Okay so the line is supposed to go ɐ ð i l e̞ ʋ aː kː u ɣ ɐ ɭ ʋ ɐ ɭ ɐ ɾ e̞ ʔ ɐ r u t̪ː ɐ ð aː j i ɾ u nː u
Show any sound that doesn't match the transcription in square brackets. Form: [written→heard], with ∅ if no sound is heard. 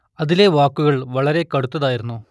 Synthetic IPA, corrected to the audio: ɐ ð i l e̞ ʋ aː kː u ɣ ɐ ɭ ʋ ɐ ɭ ɐ ɾ e̞ [ʔ→k] ɐ [r→ɽ] u t̪ː ɐ ð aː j i ɾ u nː u

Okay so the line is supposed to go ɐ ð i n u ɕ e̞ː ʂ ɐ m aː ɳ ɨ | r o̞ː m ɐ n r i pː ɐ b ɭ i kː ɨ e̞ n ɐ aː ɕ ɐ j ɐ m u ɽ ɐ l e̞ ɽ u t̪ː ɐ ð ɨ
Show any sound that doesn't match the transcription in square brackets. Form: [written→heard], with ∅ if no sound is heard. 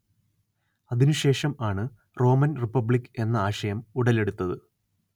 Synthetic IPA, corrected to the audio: ɐ ð i n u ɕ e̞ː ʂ ɐ m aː ɳ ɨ | r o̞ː m ɐ n r i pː ɐ b ɭ i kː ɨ e̞ [n→nː] ɐ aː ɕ ɐ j ɐ m u ɽ ɐ l e̞ ɽ u t̪ː ɐ ð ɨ

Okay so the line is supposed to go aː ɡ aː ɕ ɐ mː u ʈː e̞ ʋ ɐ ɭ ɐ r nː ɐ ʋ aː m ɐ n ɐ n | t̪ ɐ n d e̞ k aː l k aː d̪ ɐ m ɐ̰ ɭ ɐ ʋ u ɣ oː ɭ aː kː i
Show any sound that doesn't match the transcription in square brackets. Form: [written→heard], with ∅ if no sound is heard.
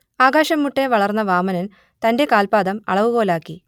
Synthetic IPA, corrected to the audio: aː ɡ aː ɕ ɐ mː u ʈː e̞ ʋ ɐ ɭ ɐ r nː ɐ ʋ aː m ɐ n ɐ n | t̪ ɐ n d e̞ k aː l [k→p] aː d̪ ɐ m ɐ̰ ɭ ɐ ʋ u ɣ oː [ɭ→l] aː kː i

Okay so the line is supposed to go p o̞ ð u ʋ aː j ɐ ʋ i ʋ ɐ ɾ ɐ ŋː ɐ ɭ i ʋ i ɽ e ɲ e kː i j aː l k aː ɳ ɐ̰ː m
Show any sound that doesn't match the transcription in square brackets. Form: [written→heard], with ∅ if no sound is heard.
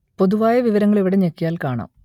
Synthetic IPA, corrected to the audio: p o̞ ð u ʋ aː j ɐ ʋ i ʋ ɐ ɾ ɐ ŋː ɐ ɭ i ʋ i ɽ e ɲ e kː i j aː l k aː ɳ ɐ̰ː m

